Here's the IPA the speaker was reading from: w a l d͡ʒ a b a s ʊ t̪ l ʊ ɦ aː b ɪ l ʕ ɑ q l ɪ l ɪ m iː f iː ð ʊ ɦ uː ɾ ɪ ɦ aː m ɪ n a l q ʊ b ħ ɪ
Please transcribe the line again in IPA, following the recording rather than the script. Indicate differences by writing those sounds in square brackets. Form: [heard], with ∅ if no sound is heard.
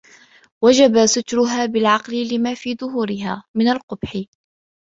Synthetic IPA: w a [∅] d͡ʒ a b a s ʊ t̪ [ɾ] ʊ ɦ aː b ɪ l ʕ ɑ q l ɪ l ɪ m [aː] f iː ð ʊ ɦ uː ɾ ɪ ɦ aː m ɪ n a l q ʊ b ħ ɪ